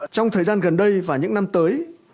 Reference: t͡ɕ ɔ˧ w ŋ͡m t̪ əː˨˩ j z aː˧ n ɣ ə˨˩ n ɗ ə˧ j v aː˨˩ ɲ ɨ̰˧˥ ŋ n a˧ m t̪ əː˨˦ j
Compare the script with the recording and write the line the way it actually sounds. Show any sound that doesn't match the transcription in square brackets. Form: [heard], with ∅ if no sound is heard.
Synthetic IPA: t͡ɕ ɔ˧ w ŋ͡m [t̪ʰ] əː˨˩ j z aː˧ n ɣ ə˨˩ n ɗ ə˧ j v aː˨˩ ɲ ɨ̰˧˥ ŋ n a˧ m t̪ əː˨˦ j